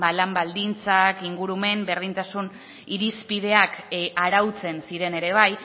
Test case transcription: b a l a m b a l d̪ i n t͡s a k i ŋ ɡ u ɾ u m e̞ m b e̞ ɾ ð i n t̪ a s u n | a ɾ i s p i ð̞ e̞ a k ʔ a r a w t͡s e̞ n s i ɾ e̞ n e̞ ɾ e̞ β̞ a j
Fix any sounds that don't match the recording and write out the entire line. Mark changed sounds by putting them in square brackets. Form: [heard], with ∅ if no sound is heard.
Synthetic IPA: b a l a m b a l d̪ i n t͡s a k i ŋ ɡ u ɾ u m e̞ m b e̞ ɾ ð i n t̪ a s u n | [i] ɾ i s p i ð̞ e̞ a k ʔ a [ɾ] a w t͡s e̞ n s i ɾ e̞ n e̞ ɾ e̞ β̞ a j

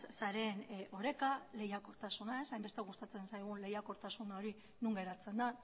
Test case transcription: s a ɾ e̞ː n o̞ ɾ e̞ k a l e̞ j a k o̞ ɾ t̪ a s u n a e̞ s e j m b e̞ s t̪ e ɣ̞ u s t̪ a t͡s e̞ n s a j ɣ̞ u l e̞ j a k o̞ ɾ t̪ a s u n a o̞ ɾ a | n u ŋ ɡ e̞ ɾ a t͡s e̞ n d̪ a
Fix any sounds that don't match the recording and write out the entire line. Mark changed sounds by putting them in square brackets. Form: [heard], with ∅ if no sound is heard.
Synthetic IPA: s a ɾ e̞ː n o̞ ɾ e̞ k a l e̞ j a k o̞ ɾ t̪ a s u n a e̞ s [a] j m b e̞ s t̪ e ɣ̞ u s t̪ a t͡s e̞ n s a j ɣ̞ u l e̞ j a k o̞ ɾ t̪ a s u n a o̞ ɾ [i] | n u ŋ ɡ e̞ ɾ a t͡s e̞ n d̪ a

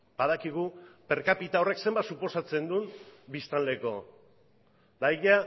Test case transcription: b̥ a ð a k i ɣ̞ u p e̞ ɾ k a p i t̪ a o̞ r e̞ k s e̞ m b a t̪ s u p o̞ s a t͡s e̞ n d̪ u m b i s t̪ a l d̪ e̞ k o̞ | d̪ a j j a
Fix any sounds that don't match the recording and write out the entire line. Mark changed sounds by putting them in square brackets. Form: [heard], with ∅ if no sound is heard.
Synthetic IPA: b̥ a ð a k i ɣ̞ u p e̞ ɾ k a p i t̪ a o̞ r e̞ k s e̞ m b a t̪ s u p o̞ s a t͡s e̞ n d̪ u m b i s t̪ a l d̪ e̞ k o̞ | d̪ a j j a

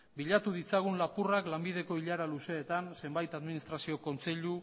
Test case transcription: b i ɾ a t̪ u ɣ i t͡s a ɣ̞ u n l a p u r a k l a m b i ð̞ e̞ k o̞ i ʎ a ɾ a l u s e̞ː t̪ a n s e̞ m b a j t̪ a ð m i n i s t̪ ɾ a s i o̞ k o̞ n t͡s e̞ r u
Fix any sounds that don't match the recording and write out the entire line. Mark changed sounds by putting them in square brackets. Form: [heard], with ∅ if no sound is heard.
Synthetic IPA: b i [ʎ] a t̪ u [ð] i t͡s a ɣ̞ u n l a p u r a k l a m b i ð̞ e̞ k o̞ i ʎ a ɾ a l u s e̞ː t̪ a n s e̞ m b a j t̪ a ð m i n i s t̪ ɾ a s i o̞ k o̞ n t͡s e̞ [ʎ] u

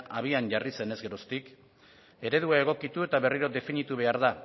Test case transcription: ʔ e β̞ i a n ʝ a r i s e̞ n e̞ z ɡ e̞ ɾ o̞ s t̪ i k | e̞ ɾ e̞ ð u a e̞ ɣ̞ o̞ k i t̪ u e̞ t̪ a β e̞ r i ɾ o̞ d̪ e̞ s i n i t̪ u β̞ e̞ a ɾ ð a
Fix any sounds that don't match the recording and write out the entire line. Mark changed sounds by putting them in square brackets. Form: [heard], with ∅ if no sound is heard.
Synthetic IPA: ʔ [a] β̞ i a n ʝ a r i s e̞ n e̞ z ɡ e̞ ɾ o̞ s t̪ i k | e̞ ɾ e̞ ð u a e̞ ɣ̞ o̞ k i t̪ u e̞ t̪ a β e̞ r i ɾ o̞ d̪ e̞ [f] i n i t̪ u β̞ e̞ a ɾ ð a

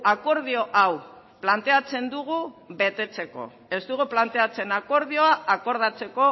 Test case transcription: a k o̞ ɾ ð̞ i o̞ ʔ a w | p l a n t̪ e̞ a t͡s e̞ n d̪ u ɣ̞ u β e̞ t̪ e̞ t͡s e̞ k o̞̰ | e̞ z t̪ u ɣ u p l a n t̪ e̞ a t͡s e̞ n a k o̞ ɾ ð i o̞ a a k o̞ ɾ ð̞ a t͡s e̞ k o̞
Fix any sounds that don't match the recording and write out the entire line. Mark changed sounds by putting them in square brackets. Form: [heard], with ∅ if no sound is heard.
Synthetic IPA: a k o̞ ɾ ð̞ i o̞ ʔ a w | p l a n t̪ e̞ a t͡s e̞ n d̪ u ɣ̞ u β e̞ t̪ e̞ t͡s e̞ k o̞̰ | e̞ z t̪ u ɣ u p l a n t̪ e̞ a t͡s e̞ n a k o̞ ɾ ð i o̞ a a k o̞ ɾ ð̞ a t͡s e̞ k o̞

